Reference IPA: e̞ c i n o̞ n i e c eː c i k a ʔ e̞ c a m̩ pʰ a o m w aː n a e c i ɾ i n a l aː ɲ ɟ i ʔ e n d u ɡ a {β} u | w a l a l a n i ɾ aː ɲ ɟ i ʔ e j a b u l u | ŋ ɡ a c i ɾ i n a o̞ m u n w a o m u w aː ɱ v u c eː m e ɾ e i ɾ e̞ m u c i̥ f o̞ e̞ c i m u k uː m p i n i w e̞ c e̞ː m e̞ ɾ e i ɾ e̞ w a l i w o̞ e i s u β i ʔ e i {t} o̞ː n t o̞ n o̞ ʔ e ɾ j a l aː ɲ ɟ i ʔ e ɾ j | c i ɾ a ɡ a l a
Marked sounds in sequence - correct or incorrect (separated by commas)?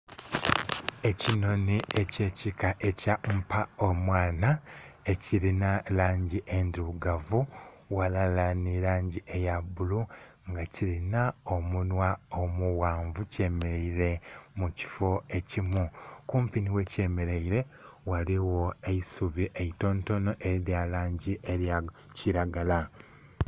incorrect, correct